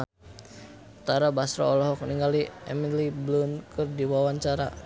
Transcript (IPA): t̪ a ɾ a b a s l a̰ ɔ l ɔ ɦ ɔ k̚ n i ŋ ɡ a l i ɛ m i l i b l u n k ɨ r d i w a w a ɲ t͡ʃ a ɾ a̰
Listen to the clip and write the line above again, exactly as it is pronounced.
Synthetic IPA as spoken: t̪ a ɾ a b a s ɾ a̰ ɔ l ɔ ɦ ɔ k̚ n i ŋ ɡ a l i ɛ m i l i b l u n k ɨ r d i w a w a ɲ t͡ʃ a ɾ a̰